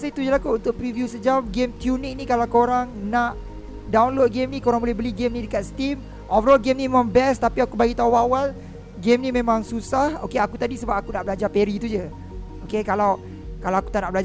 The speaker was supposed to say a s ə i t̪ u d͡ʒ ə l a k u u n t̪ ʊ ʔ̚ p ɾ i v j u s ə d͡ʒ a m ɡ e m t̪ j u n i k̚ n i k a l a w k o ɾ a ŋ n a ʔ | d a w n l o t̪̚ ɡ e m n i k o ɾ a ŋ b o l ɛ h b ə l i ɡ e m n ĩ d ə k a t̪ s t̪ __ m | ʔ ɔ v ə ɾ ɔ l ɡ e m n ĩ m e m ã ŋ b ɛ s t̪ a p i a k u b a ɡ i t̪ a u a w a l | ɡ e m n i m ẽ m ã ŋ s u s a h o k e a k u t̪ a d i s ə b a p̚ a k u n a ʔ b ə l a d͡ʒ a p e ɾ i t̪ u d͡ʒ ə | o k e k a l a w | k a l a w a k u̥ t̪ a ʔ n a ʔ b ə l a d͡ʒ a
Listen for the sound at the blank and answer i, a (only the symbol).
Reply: i